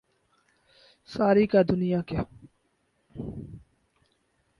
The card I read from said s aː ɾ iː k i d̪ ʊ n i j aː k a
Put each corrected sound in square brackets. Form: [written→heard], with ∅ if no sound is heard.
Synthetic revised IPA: s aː ɾ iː k [i→a] d̪ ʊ n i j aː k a